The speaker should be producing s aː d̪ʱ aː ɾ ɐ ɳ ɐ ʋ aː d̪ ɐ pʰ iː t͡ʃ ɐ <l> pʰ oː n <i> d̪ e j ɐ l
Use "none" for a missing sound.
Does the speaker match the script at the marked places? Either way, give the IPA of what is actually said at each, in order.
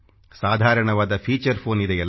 ɾ, i

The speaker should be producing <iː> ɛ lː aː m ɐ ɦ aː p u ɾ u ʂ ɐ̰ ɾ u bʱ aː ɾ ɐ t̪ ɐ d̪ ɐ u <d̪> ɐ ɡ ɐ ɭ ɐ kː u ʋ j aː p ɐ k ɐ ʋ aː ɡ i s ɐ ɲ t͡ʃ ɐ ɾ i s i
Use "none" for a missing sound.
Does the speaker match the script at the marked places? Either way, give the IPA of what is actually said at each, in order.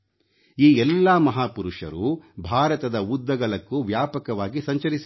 iː, d̪ː

